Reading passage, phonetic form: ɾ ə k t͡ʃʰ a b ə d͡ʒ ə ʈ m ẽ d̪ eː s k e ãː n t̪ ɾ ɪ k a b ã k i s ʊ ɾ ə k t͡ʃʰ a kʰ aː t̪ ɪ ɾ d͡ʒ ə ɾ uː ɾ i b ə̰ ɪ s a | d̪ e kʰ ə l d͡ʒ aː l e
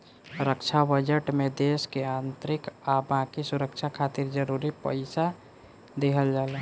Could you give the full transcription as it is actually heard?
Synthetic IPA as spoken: ɾ ə k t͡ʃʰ a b ə d͡ʒ ə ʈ m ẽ d̪ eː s k e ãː n t̪ ɾ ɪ k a b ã k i s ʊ ɾ ə k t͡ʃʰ a kʰ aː t̪ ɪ ɾ d͡ʒ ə ɾ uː ɾ i p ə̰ ɪ s a | d̪ e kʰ ə l d͡ʒ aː l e